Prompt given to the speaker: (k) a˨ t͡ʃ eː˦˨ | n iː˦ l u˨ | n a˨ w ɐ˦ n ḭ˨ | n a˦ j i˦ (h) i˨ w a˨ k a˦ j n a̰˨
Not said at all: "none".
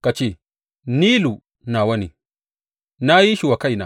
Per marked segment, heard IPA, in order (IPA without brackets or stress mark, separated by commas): k, ʃ